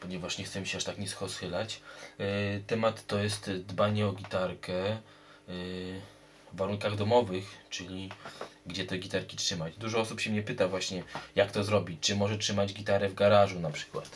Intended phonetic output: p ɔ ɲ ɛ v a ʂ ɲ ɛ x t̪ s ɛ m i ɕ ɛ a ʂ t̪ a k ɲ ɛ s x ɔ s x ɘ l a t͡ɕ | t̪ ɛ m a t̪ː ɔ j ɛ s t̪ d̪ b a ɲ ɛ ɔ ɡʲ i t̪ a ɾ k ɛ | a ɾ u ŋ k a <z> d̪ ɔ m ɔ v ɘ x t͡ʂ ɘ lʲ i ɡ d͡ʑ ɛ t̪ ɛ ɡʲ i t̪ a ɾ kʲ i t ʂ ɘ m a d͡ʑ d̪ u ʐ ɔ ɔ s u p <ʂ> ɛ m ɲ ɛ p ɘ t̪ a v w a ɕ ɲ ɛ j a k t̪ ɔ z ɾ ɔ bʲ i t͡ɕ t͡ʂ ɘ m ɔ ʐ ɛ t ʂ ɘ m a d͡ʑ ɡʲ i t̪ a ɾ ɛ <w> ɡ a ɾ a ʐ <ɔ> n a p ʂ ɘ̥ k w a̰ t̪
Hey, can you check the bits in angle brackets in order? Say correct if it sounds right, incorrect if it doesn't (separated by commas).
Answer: incorrect, incorrect, incorrect, incorrect